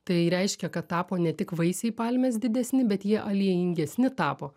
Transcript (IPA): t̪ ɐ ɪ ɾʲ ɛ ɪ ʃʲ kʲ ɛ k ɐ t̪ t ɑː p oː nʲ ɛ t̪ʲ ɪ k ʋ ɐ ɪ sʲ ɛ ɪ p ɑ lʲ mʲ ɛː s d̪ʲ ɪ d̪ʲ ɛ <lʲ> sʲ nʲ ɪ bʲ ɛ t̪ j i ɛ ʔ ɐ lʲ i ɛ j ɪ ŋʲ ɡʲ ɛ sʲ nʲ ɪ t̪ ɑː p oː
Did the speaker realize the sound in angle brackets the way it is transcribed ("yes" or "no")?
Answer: no